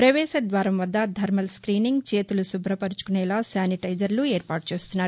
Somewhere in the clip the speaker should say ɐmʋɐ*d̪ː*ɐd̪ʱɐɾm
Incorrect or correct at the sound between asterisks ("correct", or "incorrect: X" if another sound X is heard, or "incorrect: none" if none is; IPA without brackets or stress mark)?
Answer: correct